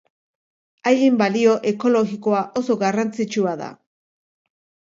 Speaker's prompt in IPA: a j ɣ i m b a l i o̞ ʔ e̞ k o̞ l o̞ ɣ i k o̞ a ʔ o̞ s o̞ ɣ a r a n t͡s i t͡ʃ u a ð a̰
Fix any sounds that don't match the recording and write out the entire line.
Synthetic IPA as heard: a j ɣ i m b a l i o̞ ʔ e̞ k o̞ l o̞ ɣ i k o̞ a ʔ o̞ s o̞ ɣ a r a n t͡s i t͡ʃ u a ð a̰